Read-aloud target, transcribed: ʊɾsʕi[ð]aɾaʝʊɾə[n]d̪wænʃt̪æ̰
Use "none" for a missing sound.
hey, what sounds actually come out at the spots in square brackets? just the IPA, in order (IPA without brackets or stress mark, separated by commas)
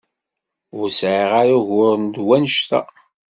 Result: ʁ, n